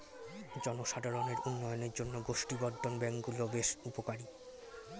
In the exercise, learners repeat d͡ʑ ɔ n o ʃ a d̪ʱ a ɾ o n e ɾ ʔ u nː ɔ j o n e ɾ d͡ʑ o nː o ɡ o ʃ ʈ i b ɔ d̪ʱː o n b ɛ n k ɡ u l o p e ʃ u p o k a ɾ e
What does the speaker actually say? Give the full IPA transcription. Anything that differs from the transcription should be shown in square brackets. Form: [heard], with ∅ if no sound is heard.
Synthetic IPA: d͡ʑ ɔ n o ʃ a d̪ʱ a ɾ o n e ɾ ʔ u nː ɔ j o n e ɾ d͡ʑ o nː o ɡ o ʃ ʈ i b ɔ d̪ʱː o n b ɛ [ŋ] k ɡ u l o [b] e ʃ u p o k a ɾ [i]